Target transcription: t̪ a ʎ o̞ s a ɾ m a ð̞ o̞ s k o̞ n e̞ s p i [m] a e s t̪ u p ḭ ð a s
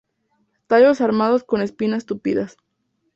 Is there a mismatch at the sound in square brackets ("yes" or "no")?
yes